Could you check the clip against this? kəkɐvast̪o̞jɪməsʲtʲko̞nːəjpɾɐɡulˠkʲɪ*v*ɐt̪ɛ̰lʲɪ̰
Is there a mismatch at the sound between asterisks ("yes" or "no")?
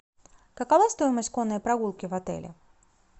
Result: no